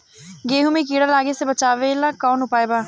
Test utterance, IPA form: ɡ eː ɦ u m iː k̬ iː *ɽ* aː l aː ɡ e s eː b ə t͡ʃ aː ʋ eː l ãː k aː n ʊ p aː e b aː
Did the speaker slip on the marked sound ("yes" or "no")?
no